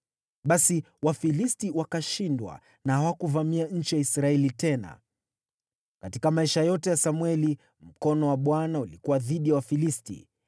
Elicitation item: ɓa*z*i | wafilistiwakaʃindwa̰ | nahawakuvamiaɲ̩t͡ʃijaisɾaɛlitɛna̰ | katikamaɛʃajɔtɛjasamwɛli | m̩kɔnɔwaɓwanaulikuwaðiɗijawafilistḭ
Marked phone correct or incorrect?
incorrect